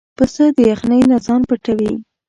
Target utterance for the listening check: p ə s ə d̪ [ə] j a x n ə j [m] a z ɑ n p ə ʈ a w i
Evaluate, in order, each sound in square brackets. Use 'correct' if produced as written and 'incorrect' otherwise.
correct, incorrect

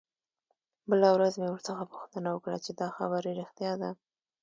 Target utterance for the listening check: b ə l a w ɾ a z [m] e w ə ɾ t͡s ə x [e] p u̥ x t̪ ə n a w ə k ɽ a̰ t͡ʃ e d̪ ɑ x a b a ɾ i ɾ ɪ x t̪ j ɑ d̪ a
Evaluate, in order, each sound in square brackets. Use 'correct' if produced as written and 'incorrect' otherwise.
correct, incorrect

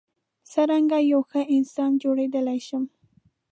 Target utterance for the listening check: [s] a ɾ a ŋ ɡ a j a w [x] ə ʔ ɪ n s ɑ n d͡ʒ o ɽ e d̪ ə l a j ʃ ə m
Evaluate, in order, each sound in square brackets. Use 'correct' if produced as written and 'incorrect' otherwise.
correct, correct

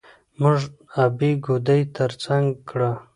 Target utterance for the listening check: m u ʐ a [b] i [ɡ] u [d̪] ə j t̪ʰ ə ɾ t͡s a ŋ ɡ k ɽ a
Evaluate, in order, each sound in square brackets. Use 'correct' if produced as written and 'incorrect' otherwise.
correct, correct, correct

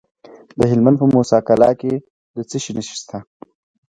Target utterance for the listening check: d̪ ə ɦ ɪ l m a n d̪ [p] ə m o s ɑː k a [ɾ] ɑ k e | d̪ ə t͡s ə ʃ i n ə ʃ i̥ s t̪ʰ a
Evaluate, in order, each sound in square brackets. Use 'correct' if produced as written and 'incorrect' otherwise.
correct, incorrect

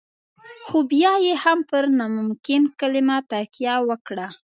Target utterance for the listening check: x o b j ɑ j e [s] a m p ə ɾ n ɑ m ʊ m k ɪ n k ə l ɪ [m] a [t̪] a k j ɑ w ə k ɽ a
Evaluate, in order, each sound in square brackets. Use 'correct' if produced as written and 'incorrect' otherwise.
incorrect, correct, correct

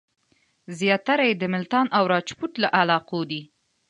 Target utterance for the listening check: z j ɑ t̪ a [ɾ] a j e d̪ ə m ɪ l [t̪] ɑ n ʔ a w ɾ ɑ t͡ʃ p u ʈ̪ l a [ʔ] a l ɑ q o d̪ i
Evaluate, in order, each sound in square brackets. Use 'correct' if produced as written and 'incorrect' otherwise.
correct, correct, correct

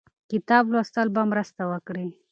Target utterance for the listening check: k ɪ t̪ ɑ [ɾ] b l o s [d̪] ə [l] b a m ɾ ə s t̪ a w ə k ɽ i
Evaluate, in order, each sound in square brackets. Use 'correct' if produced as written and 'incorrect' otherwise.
incorrect, incorrect, correct

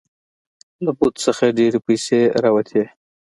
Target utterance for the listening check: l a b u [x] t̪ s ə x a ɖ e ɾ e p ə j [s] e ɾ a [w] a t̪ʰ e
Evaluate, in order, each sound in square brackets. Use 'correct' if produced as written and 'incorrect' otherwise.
incorrect, correct, correct

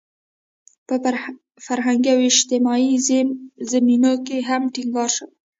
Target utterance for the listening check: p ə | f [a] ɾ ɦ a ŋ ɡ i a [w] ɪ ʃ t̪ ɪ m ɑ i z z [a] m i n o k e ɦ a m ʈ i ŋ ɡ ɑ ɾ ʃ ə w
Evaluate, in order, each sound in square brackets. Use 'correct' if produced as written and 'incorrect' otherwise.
correct, correct, correct

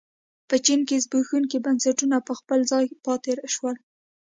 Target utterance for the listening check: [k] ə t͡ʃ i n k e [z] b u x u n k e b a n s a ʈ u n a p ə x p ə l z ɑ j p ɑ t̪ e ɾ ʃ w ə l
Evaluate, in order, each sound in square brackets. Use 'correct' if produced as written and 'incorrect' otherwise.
incorrect, correct

